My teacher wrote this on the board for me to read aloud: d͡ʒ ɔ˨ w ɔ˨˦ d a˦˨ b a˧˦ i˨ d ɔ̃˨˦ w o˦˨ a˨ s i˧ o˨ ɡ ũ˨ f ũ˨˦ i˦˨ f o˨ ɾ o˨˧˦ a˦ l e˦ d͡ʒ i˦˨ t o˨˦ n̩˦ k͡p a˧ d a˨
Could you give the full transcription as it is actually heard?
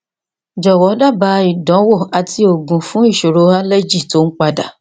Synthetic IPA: d͡ʒ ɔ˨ w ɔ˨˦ d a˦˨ b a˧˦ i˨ d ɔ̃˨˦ w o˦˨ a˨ t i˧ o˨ ɡ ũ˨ f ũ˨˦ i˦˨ ʃ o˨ ɾ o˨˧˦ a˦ l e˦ d͡ʒ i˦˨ t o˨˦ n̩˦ k͡p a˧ d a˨